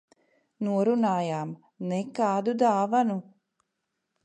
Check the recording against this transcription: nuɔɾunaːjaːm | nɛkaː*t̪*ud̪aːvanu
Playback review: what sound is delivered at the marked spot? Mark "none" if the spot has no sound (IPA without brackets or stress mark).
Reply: d̪